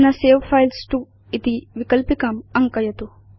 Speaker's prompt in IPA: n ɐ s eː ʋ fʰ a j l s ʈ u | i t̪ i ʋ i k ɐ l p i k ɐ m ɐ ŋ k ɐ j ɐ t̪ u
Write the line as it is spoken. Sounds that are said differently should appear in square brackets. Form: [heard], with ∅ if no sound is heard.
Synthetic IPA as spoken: n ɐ s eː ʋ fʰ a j l s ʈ u | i t̪ i ʋ i k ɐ l p i k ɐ m ɐ ŋ k ɐ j ɐ t̪ u